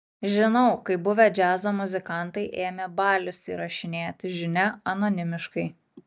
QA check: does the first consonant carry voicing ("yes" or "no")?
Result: yes